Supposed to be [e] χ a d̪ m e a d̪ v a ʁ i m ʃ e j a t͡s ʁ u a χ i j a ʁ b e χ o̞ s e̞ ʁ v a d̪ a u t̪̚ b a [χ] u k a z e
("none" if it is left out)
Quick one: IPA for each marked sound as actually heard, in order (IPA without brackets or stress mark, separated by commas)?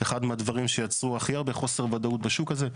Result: e, ʃ